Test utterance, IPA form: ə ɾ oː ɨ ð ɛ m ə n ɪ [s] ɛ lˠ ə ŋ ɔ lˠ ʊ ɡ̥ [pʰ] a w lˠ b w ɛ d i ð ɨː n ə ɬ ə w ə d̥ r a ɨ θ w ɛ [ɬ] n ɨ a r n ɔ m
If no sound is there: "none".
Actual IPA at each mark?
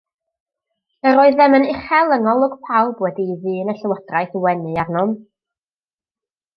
χ, pʰ, none

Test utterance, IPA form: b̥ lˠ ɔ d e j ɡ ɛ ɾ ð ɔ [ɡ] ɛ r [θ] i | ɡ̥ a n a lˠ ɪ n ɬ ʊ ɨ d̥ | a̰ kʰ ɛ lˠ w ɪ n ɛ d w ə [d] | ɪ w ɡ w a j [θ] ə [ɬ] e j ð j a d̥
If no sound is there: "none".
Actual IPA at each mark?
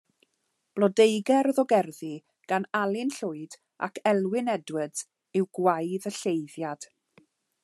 ɡ, ð, d, ð, ɬ

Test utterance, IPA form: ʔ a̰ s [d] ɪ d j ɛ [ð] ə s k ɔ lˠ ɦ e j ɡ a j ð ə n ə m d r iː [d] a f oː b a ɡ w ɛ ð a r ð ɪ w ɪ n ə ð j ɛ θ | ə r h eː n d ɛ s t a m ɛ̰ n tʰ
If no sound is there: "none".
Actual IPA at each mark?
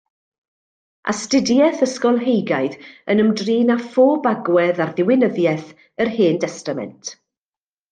t, θ, n

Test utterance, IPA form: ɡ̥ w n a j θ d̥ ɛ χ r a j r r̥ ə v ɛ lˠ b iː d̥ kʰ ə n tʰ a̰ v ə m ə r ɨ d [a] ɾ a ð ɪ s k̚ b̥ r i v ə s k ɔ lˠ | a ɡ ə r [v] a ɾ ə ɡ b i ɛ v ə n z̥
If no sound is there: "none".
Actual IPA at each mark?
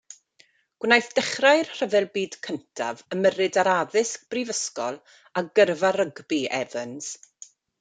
a, v

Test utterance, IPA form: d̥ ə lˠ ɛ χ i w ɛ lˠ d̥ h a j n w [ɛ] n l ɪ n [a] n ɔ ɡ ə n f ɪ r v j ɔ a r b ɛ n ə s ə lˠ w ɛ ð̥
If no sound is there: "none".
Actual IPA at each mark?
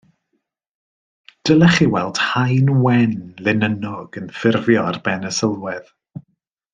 ɛ, ə

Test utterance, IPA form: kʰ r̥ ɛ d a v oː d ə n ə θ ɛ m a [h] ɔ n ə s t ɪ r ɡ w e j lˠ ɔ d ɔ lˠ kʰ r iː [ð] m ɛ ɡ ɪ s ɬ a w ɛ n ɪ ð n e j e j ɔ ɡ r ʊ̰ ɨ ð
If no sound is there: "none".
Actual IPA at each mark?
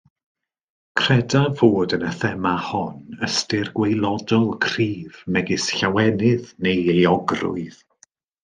h, v

